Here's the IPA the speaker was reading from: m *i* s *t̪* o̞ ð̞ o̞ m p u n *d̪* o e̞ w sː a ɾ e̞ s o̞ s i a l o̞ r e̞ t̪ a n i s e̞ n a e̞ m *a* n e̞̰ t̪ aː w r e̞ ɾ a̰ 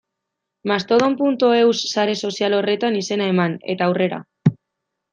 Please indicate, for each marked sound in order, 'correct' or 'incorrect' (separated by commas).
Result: incorrect, correct, incorrect, correct